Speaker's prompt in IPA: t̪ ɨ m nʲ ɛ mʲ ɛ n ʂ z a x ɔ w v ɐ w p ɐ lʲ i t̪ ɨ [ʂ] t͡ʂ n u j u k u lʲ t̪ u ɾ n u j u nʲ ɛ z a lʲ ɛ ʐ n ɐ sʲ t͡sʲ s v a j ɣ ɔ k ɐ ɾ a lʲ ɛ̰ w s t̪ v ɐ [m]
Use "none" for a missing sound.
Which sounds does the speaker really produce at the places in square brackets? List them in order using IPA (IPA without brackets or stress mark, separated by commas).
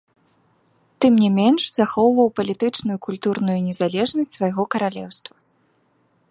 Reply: none, none